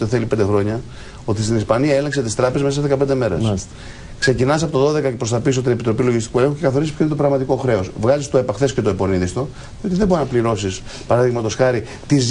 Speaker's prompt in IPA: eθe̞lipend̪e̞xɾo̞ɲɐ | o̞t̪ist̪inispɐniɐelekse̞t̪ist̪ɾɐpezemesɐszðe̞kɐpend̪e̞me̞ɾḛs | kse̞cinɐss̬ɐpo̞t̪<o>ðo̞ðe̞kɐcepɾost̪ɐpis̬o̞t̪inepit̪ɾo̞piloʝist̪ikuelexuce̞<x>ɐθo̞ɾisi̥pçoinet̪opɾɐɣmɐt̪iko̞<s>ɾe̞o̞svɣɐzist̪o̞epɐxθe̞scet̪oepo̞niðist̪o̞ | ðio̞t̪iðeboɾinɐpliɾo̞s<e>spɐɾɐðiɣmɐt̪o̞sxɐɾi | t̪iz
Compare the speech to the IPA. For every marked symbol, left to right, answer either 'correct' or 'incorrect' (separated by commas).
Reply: correct, incorrect, incorrect, incorrect